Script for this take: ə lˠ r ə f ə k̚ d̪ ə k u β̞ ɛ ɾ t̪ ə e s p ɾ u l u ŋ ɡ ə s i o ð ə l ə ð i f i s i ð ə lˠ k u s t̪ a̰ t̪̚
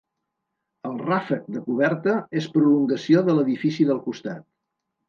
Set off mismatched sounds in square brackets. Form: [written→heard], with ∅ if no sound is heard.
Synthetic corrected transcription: ə lˠ r [ə→a] f ə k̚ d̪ ə k u β̞ ɛ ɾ t̪ ə e s p ɾ u l u ŋ ɡ ə s i o ð ə l ə ð i f i s i ð ə lˠ k u s t̪ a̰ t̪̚